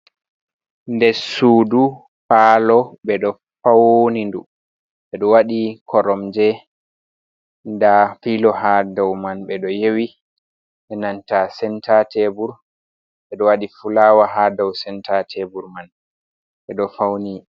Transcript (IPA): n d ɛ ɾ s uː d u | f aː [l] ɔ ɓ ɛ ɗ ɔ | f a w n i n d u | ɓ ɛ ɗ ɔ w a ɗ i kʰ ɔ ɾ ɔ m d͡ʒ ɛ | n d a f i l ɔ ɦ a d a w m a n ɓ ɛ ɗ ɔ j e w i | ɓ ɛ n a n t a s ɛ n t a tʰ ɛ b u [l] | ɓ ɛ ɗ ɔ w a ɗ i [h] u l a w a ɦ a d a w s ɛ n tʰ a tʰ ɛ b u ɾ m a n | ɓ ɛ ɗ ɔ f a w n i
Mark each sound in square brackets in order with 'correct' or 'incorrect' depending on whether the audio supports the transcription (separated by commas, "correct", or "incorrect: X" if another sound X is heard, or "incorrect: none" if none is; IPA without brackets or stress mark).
correct, incorrect: ɾ, incorrect: f